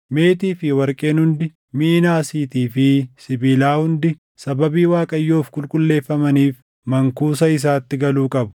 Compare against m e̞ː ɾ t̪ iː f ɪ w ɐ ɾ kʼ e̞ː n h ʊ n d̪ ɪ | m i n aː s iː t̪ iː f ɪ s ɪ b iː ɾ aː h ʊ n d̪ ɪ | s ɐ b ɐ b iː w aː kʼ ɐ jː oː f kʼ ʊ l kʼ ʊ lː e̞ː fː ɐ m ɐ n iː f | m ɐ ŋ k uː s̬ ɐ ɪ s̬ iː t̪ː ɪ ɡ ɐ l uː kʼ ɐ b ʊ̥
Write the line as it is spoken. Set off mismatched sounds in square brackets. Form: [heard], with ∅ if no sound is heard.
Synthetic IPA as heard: m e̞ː [∅] t̪ iː f ɪ w ɐ ɾ kʼ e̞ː n h ʊ n d̪ ɪ | m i n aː s iː t̪ iː f ɪ s ɪ b iː [l] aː h ʊ n d̪ ɪ | s ɐ b ɐ b iː w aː kʼ ɐ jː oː f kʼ ʊ l kʼ ʊ lː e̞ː fː ɐ m ɐ n iː f | m ɐ ŋ k uː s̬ ɐ ɪ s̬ [aː] t̪ː ɪ ɡ ɐ l uː kʼ ɐ b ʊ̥